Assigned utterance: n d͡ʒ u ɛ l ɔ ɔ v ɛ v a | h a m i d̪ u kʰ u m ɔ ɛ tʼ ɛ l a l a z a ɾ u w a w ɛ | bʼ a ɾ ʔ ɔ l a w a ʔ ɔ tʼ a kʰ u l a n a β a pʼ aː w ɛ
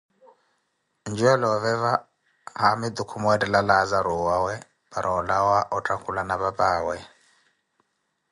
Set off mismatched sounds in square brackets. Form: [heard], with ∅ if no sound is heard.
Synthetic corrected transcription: n d͡ʒ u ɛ l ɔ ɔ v ɛ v a | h a m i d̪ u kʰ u m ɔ ɛ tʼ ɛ l a l a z a ɾ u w a w ɛ | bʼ a ɾ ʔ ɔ l a w a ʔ ɔ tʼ a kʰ u l a n a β a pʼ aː w ɛ